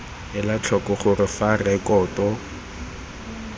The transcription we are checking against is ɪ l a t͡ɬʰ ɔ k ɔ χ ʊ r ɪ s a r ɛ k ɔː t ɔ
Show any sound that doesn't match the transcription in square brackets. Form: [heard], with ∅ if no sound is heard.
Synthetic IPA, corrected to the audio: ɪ l a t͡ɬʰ ɔ k ɔ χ ʊ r ɪ [f] a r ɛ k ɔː t ɔ